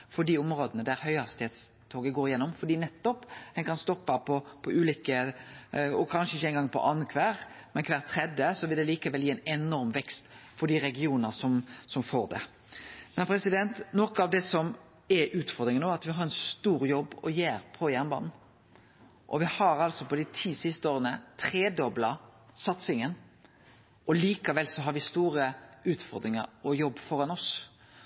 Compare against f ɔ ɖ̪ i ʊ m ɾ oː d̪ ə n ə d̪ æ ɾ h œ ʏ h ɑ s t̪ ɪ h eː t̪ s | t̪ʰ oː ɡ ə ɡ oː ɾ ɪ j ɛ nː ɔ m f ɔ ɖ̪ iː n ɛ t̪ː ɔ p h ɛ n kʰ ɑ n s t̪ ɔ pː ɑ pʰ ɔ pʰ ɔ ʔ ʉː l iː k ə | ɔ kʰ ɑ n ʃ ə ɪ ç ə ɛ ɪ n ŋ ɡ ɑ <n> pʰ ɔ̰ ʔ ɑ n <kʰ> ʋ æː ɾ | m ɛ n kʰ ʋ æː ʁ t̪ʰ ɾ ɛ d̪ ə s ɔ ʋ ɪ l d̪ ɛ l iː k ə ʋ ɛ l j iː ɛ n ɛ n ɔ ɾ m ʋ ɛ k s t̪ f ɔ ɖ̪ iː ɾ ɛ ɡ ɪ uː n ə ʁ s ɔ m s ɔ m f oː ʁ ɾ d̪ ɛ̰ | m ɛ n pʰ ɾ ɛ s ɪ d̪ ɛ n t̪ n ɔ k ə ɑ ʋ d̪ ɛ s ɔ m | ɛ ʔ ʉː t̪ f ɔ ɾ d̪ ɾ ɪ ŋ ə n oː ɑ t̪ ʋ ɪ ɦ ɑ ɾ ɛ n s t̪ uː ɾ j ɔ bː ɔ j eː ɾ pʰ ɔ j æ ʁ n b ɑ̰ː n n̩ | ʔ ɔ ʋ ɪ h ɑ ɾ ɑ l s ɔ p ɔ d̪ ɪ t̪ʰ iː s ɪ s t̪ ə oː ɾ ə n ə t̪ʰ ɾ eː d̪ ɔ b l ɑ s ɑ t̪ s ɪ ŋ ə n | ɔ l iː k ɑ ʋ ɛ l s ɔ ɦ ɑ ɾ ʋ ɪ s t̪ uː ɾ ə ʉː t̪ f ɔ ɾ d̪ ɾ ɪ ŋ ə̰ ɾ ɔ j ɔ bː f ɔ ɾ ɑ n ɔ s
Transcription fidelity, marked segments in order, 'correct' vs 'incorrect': incorrect: ŋ, correct

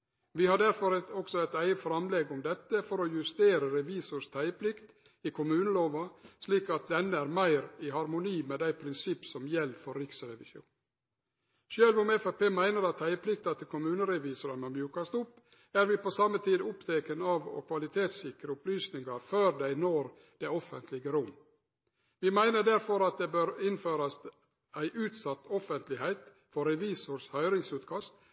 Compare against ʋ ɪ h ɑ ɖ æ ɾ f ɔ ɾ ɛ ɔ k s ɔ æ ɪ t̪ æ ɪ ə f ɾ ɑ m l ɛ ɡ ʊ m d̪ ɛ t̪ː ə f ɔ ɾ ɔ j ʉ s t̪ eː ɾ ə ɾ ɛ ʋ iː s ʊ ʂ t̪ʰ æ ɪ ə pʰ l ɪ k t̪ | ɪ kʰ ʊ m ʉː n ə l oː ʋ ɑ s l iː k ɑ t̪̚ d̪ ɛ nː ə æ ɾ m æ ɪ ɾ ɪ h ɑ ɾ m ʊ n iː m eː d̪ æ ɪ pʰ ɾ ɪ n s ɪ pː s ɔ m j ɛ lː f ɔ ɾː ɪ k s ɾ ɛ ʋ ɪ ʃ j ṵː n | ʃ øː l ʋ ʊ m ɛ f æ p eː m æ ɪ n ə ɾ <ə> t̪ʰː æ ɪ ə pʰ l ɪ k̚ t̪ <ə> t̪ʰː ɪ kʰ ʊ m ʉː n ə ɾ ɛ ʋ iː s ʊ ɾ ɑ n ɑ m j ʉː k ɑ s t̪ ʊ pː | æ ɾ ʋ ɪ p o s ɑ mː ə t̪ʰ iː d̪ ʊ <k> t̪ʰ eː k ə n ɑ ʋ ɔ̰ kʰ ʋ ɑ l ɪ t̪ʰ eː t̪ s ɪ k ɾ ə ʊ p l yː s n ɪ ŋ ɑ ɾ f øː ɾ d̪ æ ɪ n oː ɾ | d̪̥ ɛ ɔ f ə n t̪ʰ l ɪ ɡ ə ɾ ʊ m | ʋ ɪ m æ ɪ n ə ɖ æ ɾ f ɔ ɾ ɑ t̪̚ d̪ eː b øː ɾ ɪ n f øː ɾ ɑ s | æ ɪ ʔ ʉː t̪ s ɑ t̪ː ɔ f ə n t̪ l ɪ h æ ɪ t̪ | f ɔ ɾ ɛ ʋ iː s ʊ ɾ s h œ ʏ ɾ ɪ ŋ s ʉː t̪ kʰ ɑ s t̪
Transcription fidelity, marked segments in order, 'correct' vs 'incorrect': incorrect: ɑ, incorrect: ɑ, incorrect: p

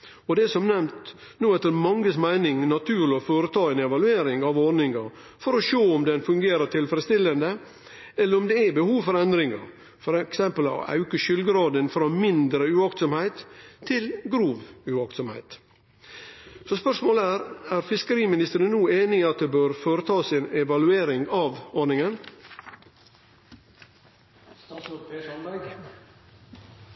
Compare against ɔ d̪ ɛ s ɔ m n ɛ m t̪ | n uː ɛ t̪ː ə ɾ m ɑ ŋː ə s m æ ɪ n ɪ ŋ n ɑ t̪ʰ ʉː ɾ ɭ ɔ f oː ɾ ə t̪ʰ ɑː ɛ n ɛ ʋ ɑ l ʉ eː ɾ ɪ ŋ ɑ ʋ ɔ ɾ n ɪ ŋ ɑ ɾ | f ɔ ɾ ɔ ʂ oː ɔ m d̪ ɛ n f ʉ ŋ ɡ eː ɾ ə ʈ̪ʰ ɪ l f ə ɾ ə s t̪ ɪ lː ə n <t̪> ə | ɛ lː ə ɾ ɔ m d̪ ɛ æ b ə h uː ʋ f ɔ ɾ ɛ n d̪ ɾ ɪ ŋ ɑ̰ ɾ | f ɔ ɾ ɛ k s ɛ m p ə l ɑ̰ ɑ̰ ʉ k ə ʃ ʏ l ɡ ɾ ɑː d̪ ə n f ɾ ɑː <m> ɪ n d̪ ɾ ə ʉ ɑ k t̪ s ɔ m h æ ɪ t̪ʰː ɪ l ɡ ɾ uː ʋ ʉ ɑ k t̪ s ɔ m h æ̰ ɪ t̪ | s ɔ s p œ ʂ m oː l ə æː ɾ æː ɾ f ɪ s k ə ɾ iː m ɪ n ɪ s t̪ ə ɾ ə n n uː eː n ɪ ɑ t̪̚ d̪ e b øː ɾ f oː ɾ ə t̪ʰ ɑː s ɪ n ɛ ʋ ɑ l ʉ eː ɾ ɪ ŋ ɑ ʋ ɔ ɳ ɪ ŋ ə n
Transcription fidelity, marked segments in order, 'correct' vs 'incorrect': incorrect: d̪, correct

